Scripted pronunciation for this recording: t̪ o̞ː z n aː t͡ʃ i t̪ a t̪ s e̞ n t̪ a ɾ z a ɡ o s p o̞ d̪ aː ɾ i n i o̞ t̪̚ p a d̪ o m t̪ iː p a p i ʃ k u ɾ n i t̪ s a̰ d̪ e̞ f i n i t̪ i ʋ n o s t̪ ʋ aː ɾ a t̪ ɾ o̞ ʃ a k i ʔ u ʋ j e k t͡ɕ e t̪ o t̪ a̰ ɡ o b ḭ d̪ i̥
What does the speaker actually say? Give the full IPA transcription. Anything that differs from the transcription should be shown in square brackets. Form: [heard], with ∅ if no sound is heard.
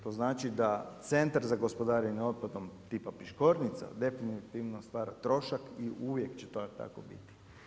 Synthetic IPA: t̪ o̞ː z n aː t͡ʃ i [d̪] a t̪ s e̞ n t̪ a ɾ z a ɡ o s p o̞ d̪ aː ɾ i n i o̞ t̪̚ p a d̪ o m t̪ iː p a p i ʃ k [o] ɾ n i t̪ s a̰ d̪ e̞ f i n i t̪ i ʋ n o s t̪ ʋ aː ɾ a t̪ ɾ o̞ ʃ a k i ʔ u ʋ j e k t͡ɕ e t̪ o t̪ a̰ [k] o b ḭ [t̪] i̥